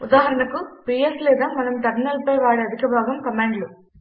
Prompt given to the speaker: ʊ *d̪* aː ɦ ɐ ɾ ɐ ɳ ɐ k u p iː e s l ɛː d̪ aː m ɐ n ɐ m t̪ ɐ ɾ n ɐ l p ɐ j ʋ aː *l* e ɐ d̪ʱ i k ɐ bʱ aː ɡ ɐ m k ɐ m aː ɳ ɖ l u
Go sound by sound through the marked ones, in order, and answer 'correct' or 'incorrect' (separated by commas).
correct, incorrect